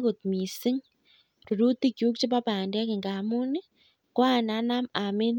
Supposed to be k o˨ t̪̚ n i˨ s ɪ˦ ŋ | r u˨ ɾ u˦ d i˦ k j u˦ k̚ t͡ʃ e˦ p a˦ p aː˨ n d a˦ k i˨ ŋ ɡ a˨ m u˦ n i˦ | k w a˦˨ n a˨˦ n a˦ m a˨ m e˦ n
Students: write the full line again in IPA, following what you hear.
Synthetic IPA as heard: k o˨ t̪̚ m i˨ s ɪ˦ ŋ | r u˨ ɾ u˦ t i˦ k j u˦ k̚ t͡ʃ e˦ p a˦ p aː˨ n d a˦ k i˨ ŋ ɡ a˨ m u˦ n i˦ | k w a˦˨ n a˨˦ n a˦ m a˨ m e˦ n